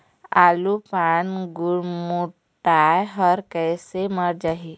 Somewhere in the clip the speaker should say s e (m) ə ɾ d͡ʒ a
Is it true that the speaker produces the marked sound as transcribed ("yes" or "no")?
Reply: yes